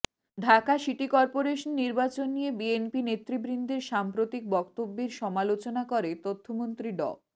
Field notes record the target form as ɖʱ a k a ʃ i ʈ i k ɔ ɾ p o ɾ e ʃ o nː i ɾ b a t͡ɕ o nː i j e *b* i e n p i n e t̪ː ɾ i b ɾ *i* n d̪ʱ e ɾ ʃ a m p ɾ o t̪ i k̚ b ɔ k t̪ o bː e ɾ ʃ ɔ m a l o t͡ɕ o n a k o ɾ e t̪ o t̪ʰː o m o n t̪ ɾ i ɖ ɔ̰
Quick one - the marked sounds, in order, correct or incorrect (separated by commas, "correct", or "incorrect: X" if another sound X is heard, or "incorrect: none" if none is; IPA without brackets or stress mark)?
correct, correct